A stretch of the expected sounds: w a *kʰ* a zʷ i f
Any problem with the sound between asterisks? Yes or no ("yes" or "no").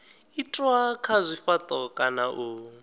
no